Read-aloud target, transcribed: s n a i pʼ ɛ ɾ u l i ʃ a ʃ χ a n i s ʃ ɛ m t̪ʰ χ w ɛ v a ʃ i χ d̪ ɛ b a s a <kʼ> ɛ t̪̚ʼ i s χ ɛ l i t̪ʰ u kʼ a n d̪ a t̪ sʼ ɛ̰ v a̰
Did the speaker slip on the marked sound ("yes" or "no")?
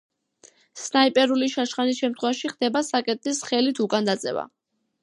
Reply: no